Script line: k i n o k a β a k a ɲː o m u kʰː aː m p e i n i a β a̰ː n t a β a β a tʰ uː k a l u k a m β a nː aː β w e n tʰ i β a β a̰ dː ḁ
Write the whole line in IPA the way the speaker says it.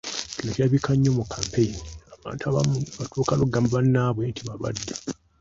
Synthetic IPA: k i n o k a β i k a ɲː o m u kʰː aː m p e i n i a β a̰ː n t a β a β a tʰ uː k a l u ɡ a m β a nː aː β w e n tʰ i β a β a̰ dː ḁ